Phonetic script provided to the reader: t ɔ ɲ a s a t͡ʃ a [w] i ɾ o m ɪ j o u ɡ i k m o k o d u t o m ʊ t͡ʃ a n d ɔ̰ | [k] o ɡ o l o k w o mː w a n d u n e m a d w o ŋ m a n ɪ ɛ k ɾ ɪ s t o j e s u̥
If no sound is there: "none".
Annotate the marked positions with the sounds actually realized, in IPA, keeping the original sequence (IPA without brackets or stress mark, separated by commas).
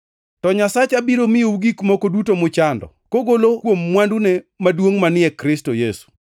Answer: b, k